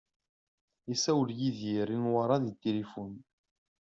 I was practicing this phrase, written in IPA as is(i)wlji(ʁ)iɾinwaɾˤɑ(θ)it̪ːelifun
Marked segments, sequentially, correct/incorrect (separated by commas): incorrect, incorrect, incorrect